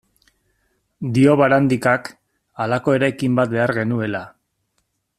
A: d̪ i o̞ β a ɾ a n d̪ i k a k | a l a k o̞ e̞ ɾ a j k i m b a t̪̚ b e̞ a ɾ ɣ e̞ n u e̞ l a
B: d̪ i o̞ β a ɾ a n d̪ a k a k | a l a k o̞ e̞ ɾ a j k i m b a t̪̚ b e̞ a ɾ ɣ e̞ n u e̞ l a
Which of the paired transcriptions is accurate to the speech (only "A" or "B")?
A